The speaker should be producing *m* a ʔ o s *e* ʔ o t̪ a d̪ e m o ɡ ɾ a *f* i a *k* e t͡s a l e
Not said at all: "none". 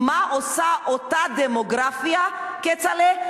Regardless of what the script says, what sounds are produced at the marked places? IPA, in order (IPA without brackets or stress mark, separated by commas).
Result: m, a, f, k